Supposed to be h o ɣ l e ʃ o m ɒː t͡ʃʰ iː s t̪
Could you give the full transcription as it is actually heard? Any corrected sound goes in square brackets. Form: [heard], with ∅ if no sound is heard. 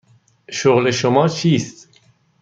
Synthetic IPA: [ʃ] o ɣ l e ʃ o m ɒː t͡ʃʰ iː s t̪